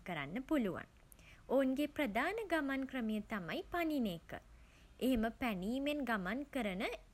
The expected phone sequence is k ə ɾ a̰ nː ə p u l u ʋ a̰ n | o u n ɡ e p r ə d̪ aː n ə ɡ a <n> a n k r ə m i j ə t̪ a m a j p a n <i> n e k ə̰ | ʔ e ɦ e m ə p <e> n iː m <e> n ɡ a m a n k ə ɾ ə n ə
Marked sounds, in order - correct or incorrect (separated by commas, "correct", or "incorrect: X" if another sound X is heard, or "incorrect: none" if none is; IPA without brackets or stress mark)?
incorrect: m, correct, incorrect: æ, correct